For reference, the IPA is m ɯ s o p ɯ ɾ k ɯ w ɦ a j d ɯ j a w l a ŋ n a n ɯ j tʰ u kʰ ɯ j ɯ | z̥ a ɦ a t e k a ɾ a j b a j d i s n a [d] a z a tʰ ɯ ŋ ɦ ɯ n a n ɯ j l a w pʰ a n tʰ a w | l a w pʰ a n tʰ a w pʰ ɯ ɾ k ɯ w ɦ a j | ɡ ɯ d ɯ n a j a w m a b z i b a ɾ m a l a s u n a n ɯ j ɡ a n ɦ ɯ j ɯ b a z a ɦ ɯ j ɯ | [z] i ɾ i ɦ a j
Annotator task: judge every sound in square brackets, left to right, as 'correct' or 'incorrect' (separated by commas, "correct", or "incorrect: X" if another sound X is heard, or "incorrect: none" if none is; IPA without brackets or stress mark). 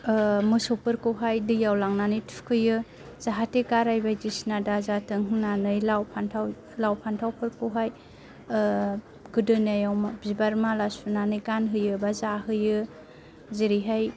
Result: correct, correct